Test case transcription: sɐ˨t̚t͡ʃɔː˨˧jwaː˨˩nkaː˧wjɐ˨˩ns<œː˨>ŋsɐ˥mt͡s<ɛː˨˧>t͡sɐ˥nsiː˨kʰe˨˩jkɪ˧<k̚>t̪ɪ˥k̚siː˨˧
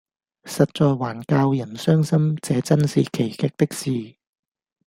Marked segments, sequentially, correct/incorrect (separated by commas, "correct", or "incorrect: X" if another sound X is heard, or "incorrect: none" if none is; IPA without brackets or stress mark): incorrect: œː˥, correct, correct